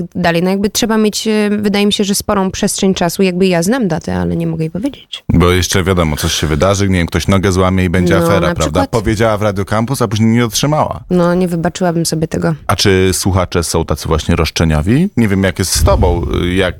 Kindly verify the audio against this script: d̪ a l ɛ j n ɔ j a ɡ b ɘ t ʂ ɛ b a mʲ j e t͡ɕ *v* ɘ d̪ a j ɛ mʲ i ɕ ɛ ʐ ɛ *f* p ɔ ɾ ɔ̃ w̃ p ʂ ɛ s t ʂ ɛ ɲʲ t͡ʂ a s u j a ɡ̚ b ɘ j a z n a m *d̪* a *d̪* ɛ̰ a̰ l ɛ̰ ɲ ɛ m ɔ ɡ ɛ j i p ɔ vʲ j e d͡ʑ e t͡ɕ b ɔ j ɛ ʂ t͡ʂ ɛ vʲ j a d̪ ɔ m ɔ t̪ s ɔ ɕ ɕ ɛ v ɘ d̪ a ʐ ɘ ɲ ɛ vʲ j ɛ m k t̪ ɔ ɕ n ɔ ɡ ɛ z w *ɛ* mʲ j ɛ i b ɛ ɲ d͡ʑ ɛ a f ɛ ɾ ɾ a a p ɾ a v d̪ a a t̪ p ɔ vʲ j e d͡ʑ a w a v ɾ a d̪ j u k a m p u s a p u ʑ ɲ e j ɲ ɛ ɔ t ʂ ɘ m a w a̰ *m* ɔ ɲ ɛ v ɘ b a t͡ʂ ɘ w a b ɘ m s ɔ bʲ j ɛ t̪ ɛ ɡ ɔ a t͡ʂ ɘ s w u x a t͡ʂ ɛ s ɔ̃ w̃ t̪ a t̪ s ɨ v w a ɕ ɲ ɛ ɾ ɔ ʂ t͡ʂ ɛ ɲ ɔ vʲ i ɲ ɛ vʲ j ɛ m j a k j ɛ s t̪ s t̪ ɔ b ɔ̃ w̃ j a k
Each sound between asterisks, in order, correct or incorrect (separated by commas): correct, incorrect, correct, incorrect, incorrect, incorrect